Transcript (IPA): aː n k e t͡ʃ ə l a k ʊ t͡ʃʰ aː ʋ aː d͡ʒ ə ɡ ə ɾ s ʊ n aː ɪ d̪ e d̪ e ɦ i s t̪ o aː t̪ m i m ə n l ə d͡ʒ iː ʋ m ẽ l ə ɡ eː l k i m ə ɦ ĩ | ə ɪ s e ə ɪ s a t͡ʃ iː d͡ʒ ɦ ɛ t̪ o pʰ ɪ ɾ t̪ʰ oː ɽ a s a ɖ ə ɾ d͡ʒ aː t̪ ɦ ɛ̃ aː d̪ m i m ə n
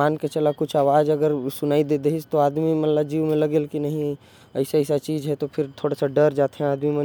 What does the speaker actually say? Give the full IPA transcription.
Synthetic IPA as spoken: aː n k e t͡ʃ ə l a k ʊ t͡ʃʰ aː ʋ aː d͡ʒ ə ɡ ə ɾ s ʊ n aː i d̪ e d̪ e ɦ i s t̪ o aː d̪ m i m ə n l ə d͡ʒ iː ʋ m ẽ l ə ɡ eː l k i n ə ɦ ĩ | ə ɪ s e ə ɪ s a t͡ʃ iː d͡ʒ ɦ ɛ t̪ o pʰ ɪ ɾ t̪ʰ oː ɽ a s a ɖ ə ɾ d͡ʒ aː t̪ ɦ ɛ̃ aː d̪ m i m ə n